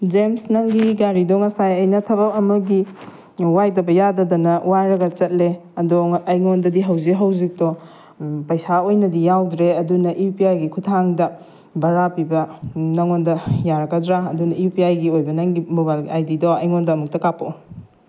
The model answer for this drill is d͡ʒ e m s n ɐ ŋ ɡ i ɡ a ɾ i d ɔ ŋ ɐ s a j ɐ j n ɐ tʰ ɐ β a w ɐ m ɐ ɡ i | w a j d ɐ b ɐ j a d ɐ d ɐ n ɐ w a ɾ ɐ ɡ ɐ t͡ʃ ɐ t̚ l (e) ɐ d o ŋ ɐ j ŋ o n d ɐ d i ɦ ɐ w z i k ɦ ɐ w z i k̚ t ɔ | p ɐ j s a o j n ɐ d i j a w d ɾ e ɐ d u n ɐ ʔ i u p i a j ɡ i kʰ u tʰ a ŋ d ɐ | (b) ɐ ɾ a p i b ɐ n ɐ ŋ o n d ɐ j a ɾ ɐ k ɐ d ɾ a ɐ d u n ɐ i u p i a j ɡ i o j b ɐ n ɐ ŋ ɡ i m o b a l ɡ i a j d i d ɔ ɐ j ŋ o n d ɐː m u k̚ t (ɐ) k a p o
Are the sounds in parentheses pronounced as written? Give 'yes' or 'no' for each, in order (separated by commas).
yes, yes, yes